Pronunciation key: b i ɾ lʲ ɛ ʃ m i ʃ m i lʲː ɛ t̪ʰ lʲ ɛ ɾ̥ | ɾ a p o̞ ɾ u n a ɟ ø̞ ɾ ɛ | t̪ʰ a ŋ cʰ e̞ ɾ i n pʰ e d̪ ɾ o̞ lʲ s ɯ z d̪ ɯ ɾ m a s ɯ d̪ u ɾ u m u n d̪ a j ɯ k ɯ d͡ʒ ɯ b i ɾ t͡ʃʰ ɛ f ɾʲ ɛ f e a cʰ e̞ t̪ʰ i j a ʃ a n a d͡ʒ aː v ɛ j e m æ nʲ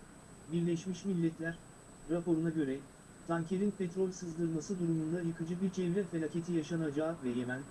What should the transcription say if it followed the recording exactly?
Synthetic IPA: b i ɾ lʲ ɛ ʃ m i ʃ m i lʲː ɛ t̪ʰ lʲ æ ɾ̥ | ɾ a p o̞ ɾ u n a ɟ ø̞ ɾ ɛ | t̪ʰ a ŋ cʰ e̞ ɾ i n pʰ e t̪ ɾ o̞ lʲ s ɯ z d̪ ɯ ɾ m a s ɯ d̪ u ɾ u m u n d̪ a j ɯ k ɯ d͡ʒ ɯ b i ɾ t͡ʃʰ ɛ v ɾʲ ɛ f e a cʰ e̞ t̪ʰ i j a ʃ a n a d͡ʒ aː v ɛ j e m æ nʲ